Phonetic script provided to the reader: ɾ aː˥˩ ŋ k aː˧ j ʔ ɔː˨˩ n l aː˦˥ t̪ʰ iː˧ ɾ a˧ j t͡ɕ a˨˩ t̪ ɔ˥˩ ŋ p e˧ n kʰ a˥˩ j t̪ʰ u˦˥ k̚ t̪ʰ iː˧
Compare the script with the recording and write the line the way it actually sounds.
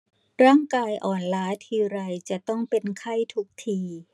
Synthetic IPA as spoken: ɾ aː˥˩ ŋ k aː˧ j ʔ ɔː˨˩ n l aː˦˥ t̪ʰ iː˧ ɾ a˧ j t͡ɕ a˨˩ t̪ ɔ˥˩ ŋ p e˧ n kʰ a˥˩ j t̪ʰ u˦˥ k̚ t̪ʰ iː˧